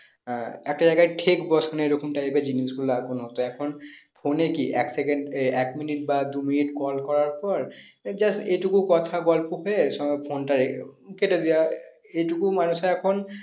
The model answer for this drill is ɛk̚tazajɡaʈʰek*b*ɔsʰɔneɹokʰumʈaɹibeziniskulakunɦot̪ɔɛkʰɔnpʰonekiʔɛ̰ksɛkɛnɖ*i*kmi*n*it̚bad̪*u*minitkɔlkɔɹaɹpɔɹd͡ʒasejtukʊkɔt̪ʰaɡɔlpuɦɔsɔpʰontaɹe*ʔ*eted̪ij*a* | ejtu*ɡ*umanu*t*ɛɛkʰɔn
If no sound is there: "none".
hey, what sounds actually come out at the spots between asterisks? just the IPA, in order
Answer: b, ɛ, n, u, k, a, k, s

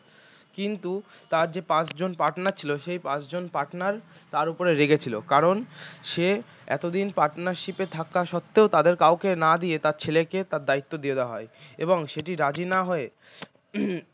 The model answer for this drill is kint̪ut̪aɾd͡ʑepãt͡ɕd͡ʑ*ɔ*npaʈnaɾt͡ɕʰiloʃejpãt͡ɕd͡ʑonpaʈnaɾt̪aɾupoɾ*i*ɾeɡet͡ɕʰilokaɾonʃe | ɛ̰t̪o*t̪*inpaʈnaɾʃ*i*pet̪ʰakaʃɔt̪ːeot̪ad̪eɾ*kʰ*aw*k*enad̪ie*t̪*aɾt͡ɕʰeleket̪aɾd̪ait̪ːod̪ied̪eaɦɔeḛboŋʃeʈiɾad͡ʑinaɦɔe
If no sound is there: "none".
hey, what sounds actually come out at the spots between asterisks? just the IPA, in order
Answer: o, e, d̪, i, k, k, t̪

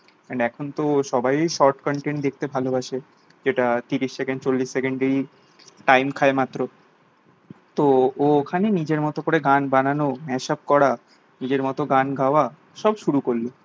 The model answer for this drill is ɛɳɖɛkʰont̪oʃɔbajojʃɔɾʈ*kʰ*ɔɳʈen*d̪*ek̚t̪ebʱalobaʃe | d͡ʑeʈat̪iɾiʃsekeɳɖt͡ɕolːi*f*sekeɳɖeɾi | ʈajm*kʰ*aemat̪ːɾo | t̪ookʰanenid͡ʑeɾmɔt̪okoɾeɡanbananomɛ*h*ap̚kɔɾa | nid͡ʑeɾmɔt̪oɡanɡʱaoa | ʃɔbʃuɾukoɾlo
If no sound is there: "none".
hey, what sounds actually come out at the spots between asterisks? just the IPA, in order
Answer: k, d̪, ʃ, kʰ, ʃ

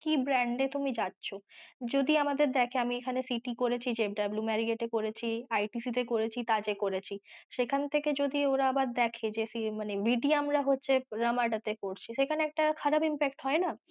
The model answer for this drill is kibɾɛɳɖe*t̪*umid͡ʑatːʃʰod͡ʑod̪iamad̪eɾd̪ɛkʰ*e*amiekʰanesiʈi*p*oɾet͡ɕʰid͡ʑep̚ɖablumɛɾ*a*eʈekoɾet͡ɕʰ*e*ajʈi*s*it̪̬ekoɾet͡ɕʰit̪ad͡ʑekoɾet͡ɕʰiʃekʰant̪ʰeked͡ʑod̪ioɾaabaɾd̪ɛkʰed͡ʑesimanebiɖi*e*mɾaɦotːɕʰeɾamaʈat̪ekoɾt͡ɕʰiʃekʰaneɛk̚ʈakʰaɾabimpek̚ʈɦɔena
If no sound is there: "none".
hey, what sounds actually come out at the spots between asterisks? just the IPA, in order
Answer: t̪, e, k, i, i, s, a

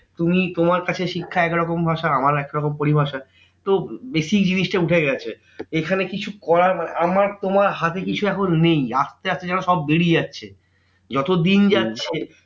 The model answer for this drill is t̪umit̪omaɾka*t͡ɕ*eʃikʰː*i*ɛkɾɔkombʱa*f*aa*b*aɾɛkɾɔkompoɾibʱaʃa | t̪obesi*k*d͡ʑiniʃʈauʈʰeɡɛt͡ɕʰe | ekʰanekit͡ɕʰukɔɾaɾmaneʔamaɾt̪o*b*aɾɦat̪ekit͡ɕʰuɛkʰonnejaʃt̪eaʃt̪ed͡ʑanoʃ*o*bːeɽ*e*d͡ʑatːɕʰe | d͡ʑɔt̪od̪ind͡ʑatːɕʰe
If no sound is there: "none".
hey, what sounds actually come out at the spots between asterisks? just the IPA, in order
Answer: t͡ɕʰ, a, ʃ, m, k, m, ɔ, i

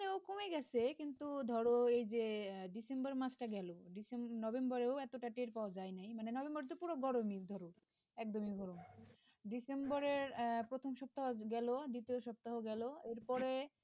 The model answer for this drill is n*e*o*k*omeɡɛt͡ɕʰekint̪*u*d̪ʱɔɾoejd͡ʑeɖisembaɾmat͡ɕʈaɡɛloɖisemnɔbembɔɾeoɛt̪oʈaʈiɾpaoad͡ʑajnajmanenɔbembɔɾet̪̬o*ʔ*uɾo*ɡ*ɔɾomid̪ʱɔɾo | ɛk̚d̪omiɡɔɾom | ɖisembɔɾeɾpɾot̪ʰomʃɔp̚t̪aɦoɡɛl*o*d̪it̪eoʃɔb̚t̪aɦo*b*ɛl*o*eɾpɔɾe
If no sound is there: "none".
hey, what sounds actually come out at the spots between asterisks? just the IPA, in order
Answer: e, k, u, p, ɡ, o, ɡ, o

